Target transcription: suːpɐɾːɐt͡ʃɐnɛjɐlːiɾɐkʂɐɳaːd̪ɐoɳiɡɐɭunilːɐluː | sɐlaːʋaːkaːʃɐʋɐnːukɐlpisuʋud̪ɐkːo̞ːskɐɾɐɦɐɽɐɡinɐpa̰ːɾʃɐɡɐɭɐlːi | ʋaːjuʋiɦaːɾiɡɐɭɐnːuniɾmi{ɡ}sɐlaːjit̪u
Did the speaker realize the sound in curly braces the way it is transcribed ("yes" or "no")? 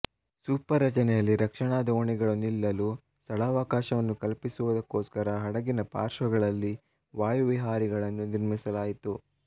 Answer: no